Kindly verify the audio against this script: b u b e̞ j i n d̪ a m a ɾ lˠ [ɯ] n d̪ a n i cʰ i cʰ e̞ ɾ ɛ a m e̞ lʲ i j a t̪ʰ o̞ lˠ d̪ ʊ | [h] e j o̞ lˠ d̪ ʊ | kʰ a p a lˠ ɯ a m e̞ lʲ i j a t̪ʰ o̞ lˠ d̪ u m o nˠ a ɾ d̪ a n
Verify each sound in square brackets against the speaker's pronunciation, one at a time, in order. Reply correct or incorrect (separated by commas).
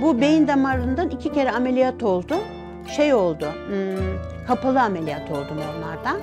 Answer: correct, incorrect